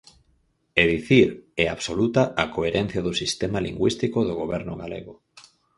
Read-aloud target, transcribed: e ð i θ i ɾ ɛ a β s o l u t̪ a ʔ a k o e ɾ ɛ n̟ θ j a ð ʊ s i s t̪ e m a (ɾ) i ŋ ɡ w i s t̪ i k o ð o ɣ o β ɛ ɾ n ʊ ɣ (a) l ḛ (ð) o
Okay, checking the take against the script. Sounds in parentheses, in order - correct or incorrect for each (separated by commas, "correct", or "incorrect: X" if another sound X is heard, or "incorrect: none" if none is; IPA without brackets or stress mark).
incorrect: l, correct, incorrect: ɣ